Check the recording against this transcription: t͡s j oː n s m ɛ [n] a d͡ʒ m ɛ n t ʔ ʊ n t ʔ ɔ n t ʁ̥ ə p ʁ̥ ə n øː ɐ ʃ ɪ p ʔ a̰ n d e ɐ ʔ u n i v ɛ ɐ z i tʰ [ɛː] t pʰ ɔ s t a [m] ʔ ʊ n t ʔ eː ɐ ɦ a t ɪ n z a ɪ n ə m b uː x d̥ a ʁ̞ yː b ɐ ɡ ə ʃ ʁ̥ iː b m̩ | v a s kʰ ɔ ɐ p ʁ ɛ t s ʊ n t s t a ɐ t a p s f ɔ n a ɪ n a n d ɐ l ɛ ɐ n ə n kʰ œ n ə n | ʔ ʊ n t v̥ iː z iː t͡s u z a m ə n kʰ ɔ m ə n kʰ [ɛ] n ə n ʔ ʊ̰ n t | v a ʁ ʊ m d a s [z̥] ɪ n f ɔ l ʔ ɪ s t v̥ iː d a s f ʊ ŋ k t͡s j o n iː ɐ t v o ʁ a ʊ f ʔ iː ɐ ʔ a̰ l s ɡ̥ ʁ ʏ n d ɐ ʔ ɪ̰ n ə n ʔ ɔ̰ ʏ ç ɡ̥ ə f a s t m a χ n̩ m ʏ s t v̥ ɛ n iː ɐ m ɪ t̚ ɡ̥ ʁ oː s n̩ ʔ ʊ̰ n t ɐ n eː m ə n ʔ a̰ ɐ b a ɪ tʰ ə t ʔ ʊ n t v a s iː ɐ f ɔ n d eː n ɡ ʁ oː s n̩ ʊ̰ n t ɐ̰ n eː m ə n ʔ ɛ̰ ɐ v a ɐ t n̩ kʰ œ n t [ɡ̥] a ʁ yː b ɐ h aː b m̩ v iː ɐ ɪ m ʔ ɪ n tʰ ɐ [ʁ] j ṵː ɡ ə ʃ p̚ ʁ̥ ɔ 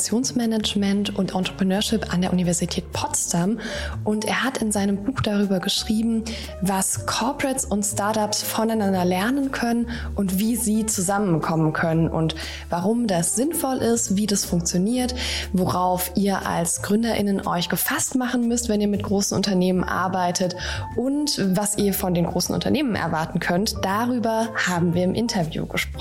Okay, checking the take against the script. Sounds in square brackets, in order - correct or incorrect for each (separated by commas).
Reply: correct, correct, correct, incorrect, correct, incorrect, incorrect